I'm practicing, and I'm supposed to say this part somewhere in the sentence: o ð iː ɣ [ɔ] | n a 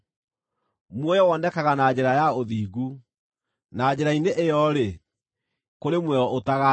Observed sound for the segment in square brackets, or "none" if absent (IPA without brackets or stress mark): u